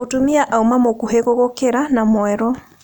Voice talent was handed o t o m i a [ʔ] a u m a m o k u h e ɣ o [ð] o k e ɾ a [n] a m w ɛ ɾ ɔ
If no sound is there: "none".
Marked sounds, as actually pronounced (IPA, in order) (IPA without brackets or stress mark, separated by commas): ʔ, ɣ, n